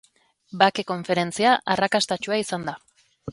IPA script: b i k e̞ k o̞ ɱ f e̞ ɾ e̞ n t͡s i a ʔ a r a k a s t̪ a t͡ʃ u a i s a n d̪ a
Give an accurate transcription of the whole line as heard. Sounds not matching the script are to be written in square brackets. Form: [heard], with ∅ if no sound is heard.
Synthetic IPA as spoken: b [a] k e̞ k o̞ ɱ f e̞ ɾ e̞ n t͡s i a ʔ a r a k a s t̪ a t͡ʃ u a i s a n d̪ a